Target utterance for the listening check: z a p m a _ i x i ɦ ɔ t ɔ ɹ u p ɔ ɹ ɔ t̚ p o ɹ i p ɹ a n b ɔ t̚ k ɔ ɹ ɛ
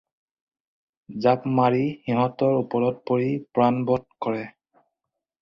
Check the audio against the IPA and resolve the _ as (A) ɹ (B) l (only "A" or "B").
A